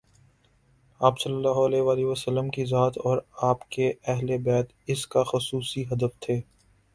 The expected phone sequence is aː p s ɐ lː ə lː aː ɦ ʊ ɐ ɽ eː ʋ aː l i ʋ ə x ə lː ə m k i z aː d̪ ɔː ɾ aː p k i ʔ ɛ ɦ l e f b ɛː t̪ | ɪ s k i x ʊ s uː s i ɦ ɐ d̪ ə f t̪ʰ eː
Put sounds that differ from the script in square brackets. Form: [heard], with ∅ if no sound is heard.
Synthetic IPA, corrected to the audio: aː p s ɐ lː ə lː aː ɦ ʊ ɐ [l] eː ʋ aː l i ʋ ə [s] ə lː ə m k i z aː [t̪] ɔː ɾ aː p k [e] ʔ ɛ ɦ l e [∅] b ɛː t̪ | ɪ s k [a] x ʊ s uː s i ɦ ɐ d̪ ə f t̪ʰ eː